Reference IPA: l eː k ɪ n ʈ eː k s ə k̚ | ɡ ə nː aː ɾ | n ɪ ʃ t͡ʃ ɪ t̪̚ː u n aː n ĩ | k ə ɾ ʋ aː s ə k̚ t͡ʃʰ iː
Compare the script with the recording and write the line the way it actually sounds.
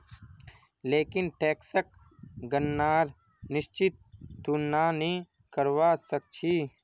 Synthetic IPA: l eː k ɪ n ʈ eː k s ə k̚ | ɡ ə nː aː ɾ | n ɪ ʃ t͡ʃ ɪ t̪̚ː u n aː n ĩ | k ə ɾ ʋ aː s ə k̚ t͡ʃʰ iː